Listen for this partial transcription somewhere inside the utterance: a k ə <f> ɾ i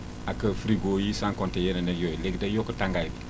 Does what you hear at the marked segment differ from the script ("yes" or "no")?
no